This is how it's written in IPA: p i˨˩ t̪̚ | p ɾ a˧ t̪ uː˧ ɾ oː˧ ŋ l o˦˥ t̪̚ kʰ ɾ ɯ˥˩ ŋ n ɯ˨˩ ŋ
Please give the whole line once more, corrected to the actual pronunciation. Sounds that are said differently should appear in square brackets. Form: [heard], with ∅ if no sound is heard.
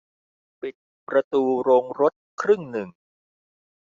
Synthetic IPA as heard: p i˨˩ t̪̚ | p ɾ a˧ t̪ uː˧ ɾ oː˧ ŋ [ɾ] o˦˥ t̪̚ kʰ ɾ ɯ˥˩ ŋ n ɯ˨˩ ŋ